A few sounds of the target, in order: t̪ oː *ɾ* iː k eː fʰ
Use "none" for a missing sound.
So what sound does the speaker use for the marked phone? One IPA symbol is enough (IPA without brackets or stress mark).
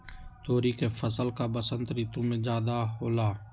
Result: ɾ